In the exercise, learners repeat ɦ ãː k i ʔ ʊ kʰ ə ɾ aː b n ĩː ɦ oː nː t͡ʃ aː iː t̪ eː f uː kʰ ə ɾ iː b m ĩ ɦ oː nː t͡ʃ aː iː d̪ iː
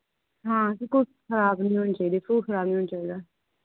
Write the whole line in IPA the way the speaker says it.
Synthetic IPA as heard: ɦ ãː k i k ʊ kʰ ə ɾ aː b n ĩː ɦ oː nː t͡ʃ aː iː d̪ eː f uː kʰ ə ɾ aː b n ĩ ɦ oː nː t͡ʃ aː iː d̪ aː